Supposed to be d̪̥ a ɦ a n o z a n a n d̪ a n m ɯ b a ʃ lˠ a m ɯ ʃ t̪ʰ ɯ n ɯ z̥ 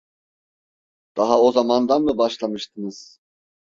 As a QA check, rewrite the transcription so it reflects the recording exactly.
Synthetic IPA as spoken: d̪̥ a ɦ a o z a m a n d̪ a n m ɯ b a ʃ lˠ a m ɯ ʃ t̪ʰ ɯ n ɯ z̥

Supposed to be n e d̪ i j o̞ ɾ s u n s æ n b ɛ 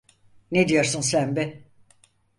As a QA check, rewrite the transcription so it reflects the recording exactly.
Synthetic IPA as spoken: n e d̪ i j o̞ ɾ s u n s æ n b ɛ

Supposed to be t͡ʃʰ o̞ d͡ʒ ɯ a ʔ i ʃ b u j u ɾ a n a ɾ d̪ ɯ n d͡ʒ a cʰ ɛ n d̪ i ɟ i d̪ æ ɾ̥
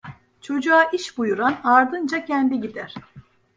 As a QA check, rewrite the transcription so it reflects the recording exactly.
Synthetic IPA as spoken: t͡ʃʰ o̞ d͡ʒ u a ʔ i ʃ b u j u ɾ a n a ɾ d̪ ɯ n d͡ʒ a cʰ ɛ n d̪ i ɟ i d̪ æ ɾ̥

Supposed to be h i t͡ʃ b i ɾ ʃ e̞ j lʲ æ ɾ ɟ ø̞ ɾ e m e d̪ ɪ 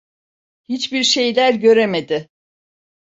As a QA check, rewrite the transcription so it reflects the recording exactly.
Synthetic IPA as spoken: h i t͡ʃ b i ɾ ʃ e̞ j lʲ æ ɾ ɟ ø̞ ɾ e m e d̪ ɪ

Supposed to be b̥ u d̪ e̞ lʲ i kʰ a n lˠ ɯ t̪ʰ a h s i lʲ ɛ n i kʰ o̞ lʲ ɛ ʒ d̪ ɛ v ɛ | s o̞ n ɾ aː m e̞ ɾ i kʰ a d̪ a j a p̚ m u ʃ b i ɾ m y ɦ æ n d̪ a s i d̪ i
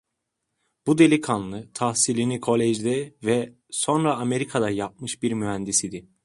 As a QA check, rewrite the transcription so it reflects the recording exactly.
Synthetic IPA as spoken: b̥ u d̪ e̞ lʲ i kʰ a n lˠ ɯ t̪ʰ a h s i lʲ i n i kʰ o̞ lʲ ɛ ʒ d̪ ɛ v ɛ | s o̞ n ɾ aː m e̞ ɾ i kʰ a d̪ a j a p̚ m ɯ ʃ b i ɾ m y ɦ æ n d̪ i s i d̪ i

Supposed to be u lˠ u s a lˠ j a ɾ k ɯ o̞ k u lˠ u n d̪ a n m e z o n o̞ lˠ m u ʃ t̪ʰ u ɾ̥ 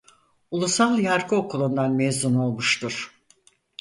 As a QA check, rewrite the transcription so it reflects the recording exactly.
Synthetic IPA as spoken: u lˠ u s a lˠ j a ɾ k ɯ o̞ k u lˠ u n d̪ a n m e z u n o̞ lˠ m u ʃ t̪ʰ u ɾ̥

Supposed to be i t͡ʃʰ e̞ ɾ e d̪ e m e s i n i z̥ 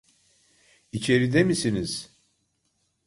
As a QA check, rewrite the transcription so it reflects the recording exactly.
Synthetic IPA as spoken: i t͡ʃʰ e̞ ɾ i d̪ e m i s i n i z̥

